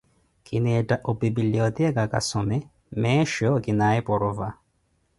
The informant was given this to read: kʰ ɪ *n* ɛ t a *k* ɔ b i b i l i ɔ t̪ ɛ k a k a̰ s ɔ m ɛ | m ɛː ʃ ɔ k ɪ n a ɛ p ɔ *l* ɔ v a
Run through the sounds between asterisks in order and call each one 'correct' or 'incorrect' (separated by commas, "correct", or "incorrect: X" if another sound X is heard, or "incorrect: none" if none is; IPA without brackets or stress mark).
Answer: correct, incorrect: ʔ, incorrect: ɾ